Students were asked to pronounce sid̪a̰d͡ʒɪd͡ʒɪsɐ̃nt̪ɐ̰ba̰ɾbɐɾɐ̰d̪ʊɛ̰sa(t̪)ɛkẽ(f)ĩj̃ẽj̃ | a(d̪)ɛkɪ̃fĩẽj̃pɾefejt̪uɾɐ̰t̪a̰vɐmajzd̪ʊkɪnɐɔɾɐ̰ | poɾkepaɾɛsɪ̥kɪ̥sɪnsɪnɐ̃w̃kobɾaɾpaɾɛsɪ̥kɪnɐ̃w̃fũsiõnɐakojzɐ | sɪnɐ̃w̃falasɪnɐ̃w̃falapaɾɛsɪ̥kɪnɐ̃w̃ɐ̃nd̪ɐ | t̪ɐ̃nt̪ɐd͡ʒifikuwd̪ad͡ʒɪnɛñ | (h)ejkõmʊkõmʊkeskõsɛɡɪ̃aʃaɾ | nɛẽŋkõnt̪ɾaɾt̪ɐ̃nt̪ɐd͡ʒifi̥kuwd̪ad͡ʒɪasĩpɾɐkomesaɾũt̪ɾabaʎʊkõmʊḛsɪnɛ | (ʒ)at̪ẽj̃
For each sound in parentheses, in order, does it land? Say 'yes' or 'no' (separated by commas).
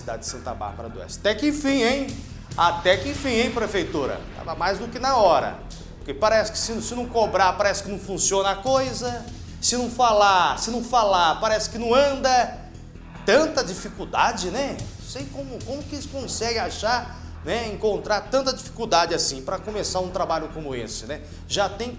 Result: yes, yes, no, no, yes